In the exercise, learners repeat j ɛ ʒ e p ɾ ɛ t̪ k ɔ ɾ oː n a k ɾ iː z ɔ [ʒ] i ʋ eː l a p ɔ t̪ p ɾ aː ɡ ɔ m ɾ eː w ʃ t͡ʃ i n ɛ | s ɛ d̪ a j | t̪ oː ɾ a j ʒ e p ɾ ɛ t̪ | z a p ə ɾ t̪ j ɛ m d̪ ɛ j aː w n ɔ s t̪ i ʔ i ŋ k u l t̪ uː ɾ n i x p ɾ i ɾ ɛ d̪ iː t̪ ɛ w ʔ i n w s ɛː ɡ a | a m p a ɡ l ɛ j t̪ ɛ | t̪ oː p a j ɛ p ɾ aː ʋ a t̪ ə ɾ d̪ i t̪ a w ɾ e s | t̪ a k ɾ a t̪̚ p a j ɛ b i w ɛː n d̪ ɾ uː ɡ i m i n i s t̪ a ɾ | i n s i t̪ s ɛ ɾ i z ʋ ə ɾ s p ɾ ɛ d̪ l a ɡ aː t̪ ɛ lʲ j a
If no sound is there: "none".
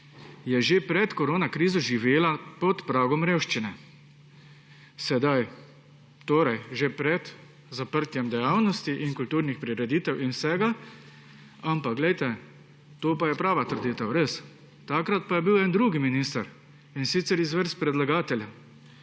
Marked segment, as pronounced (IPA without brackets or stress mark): ʒ